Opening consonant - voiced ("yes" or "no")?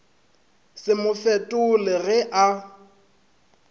no